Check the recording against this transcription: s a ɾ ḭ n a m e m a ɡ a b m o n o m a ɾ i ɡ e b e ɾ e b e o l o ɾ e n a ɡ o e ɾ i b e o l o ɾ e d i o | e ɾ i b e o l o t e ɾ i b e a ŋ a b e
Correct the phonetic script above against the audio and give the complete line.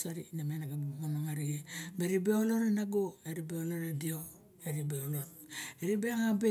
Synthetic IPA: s a ɾ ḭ n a m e n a ɡ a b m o n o ŋ a ɾ i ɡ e b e ɾ i b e o l o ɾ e n a ɡ o e ɾ i b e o l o ɾ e d i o | e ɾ i b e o l o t e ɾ i b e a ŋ a b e